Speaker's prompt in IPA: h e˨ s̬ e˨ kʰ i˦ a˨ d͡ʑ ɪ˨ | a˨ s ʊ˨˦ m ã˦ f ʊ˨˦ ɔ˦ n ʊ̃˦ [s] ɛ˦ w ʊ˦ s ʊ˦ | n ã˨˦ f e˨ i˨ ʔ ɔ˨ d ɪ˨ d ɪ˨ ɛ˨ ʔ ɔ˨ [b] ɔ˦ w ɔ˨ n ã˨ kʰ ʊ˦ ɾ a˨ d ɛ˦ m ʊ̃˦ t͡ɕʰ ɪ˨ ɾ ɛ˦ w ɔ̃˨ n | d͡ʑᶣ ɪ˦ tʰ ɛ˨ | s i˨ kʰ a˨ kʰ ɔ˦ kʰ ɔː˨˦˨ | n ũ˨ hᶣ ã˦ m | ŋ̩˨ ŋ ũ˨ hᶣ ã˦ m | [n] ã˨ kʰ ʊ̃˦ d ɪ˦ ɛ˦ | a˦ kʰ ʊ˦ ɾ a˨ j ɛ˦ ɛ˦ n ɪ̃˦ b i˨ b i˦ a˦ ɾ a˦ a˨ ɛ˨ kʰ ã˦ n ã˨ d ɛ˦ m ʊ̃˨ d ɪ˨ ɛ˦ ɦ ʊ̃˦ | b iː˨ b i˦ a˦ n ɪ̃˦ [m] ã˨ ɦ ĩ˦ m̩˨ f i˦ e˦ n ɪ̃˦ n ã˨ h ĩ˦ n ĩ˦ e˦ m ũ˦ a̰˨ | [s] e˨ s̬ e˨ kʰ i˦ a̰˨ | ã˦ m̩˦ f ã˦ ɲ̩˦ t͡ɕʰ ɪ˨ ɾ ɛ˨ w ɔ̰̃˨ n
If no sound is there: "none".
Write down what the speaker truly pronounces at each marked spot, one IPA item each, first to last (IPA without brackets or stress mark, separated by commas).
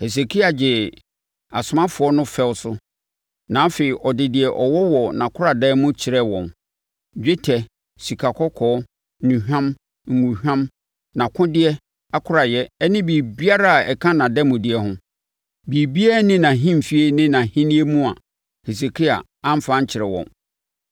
f, w, n, n, h